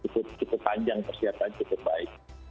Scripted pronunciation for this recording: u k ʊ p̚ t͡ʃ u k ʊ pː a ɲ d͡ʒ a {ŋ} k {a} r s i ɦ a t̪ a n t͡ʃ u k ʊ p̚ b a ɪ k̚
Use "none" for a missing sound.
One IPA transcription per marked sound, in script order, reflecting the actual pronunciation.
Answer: ŋ, ə

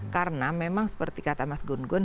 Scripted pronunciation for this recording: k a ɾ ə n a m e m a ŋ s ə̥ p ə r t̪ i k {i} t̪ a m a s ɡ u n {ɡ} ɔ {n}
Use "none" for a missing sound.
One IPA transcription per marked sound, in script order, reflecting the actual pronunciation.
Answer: a, ɡ, n

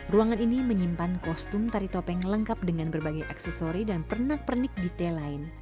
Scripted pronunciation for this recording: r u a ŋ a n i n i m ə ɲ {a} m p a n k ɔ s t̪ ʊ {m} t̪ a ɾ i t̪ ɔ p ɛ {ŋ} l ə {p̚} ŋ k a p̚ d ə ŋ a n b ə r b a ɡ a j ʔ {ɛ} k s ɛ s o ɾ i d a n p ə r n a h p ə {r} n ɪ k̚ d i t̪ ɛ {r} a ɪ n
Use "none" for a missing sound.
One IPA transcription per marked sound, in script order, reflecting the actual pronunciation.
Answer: i, m, ŋ, none, a, r, l

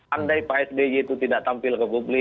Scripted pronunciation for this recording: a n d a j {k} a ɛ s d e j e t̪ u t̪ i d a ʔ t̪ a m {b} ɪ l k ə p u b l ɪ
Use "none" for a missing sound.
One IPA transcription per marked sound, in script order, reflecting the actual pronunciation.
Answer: p, p

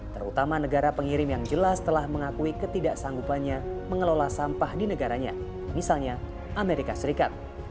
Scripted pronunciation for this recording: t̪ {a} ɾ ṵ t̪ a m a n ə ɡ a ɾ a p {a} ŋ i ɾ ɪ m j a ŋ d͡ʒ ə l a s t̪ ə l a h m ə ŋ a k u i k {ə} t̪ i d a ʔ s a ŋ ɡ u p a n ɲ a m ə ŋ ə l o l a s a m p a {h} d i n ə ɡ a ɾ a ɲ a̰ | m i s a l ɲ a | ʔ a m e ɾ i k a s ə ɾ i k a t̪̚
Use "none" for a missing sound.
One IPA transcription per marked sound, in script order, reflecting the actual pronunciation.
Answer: ə, ə, ə, h

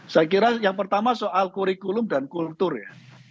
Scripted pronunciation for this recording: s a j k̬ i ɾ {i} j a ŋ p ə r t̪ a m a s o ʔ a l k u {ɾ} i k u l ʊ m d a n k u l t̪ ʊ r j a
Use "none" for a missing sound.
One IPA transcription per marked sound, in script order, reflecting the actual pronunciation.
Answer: a, ɾ

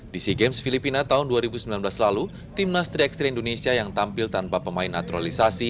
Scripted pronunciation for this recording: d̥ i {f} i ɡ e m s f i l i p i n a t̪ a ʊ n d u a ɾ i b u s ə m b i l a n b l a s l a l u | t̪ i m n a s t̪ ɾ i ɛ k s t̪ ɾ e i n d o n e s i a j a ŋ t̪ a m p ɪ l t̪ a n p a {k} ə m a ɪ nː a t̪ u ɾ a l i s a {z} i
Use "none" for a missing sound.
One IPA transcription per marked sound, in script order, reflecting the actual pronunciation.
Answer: s, p, s

